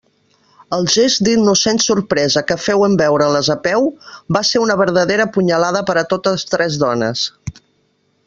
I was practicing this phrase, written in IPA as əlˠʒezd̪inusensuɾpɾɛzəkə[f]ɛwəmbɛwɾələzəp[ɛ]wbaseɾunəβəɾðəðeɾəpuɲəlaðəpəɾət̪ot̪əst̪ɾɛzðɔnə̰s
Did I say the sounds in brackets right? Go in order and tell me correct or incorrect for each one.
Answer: correct, correct

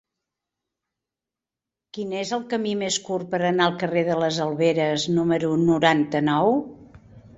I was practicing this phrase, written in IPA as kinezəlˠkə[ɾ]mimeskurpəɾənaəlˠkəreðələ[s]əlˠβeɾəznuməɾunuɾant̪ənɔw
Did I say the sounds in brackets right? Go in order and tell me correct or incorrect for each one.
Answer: incorrect, incorrect

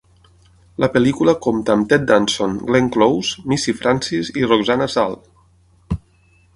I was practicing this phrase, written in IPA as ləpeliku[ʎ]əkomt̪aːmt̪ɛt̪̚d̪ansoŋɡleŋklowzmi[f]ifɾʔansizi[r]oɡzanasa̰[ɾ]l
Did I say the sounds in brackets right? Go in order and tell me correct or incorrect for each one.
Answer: incorrect, incorrect, correct, incorrect

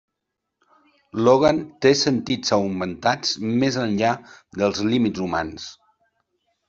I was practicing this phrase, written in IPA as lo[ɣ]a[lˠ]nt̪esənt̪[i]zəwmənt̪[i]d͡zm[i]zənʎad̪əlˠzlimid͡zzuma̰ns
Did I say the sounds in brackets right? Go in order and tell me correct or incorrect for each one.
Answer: correct, incorrect, correct, incorrect, incorrect

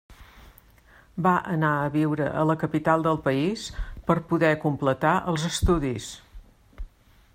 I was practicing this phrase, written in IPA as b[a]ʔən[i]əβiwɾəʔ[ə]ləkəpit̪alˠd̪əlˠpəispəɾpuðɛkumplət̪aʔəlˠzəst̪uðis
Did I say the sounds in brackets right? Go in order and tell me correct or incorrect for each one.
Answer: correct, incorrect, correct

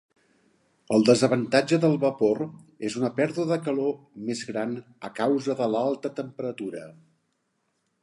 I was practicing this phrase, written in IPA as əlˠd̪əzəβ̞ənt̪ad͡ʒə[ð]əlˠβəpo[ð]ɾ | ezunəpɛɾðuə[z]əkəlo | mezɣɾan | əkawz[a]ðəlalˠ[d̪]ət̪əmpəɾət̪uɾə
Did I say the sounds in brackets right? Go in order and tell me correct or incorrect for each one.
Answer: correct, incorrect, incorrect, incorrect, incorrect

